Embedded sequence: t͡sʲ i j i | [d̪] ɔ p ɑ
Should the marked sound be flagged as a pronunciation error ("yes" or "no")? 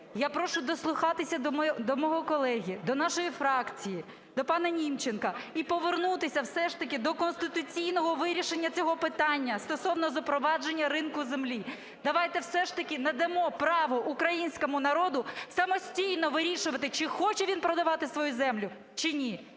no